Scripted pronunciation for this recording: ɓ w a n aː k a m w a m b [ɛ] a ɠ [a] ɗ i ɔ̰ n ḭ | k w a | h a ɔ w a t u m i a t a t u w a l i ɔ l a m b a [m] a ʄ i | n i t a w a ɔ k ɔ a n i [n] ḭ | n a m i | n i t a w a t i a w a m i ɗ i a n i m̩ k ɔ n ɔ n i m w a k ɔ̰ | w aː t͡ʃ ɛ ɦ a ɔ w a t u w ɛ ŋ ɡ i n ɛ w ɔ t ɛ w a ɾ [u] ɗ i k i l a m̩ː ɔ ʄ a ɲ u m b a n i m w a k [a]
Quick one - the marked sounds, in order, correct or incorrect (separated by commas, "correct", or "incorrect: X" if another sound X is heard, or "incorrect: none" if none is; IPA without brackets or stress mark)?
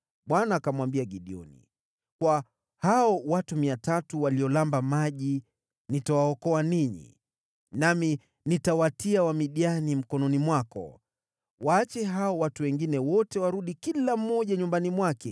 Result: incorrect: i, incorrect: i, correct, incorrect: ɲ, correct, incorrect: ɛ